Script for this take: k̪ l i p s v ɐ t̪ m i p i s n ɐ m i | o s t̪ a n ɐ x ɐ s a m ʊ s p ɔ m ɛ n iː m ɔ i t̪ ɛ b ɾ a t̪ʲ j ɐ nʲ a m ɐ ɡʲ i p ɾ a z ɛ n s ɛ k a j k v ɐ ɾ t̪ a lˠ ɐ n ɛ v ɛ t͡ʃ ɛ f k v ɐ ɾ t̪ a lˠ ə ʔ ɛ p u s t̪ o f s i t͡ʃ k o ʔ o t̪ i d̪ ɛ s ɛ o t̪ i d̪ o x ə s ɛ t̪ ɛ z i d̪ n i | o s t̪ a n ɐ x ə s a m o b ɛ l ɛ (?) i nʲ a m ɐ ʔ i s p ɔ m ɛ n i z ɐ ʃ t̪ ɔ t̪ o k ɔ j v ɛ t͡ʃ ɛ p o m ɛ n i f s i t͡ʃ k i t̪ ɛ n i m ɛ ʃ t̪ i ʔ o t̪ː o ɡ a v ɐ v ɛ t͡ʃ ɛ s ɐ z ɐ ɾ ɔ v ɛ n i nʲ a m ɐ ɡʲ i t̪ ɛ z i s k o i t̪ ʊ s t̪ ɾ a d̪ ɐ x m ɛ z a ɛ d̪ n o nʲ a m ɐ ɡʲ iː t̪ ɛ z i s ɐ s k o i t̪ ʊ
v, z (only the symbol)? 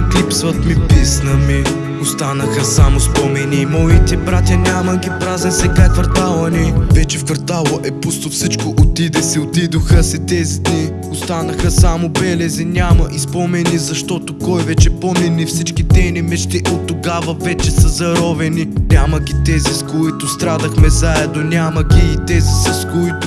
z